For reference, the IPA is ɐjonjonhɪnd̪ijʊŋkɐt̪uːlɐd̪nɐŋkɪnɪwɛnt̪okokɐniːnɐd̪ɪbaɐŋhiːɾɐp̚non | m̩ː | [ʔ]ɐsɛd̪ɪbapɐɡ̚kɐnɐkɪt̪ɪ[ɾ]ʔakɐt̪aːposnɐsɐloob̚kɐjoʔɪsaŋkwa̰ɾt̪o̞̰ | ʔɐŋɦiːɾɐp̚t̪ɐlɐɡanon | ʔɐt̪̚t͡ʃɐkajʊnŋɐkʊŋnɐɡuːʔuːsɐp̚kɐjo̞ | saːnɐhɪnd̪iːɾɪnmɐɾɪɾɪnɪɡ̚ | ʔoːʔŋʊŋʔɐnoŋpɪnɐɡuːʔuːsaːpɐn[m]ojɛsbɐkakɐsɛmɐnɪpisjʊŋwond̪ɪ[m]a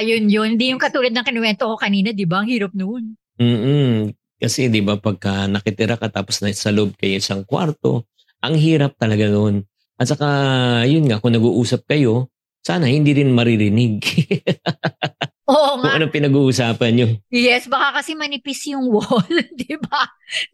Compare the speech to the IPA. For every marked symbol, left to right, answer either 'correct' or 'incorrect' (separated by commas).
incorrect, correct, incorrect, incorrect